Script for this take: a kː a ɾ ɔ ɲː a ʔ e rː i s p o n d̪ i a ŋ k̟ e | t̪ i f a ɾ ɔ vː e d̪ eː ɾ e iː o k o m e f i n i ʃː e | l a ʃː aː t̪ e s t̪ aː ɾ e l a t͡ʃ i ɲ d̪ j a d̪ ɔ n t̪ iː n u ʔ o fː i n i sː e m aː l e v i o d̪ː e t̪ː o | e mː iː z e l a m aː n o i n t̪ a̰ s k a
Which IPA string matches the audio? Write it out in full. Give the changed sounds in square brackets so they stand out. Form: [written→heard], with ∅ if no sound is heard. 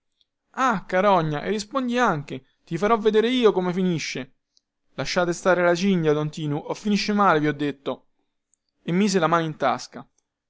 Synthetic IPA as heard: a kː a ɾ ɔ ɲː a ʔ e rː i s p o n d̪ i a ŋ k̟ e | t̪ i f a ɾ ɔ vː e d̪ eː ɾ e iː o k o m e f i n i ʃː e | l a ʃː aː t̪ e s t̪ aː ɾ e l a t͡ʃ i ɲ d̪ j a d̪ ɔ n t̪ iː n u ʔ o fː i n i [sː→ʃː] e m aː l e v i [o→ɔ] d̪ː e t̪ː o | e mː iː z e l a m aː n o i n t̪ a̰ s k a

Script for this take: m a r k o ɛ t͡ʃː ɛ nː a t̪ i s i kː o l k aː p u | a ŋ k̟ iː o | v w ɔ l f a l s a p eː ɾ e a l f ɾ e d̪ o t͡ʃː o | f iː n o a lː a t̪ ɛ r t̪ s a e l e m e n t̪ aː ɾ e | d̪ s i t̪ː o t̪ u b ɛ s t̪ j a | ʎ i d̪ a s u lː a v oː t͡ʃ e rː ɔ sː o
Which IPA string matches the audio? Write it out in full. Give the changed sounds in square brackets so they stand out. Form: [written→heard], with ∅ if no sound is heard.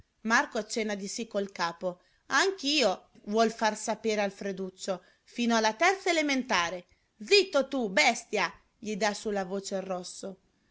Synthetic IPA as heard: m a r k o [ɛ→a] t͡ʃː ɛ nː a [t̪→d̪] i s i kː o l k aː p [u→o] | a ŋ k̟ iː o | v w ɔ l f a [l→r] s a p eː ɾ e a l f ɾ e d̪ [o→u] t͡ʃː o | f iː n o a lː a t̪ ɛ r t̪ s a e l e m e n t̪ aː ɾ e | d̪ [s→z] i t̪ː o t̪ u b ɛ s t̪ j a | ʎ i d̪ a s u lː a v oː t͡ʃ e rː ɔ sː o

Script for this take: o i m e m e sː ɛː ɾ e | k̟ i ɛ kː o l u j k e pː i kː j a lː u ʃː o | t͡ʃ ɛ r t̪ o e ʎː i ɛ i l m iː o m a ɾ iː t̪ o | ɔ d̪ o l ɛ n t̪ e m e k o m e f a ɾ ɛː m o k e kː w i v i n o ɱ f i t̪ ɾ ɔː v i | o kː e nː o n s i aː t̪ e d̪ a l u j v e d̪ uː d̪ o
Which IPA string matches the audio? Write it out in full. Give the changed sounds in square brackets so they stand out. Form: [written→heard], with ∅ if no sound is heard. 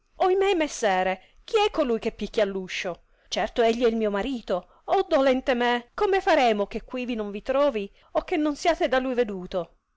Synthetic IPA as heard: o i m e m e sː ɛː ɾ e | k̟ i ɛ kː o l u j k e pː i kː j a lː u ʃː o | t͡ʃ ɛ r t̪ o e ʎː i ɛ i l m iː o m a ɾ iː t̪ o | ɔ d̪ o l ɛ n t̪ e m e k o m e f a ɾ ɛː m o k e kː w i v i n o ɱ [f→v] i t̪ ɾ ɔː v i | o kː e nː o n s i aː t̪ e d̪ a l u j v e d̪ uː [d̪→t̪] o

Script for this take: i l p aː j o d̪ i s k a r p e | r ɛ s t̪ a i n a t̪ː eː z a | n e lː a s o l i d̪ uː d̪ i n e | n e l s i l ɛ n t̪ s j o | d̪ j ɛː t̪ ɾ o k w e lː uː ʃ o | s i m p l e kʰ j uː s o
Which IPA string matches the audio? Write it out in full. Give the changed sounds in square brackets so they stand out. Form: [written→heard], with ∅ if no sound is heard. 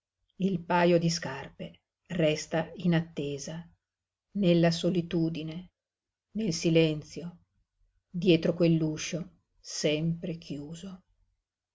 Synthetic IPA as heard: i l p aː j o d̪ i s k a r p e | r ɛ s t̪ a i n a t̪ː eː z a | n e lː a s o l i [d̪→t̪] uː d̪ i n e | n e l s i l ɛ n t̪ s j o | d̪ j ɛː t̪ ɾ o k w e lː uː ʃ o | s [i→ɛ] m p [l→ɾ] e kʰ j uː [s→z] o

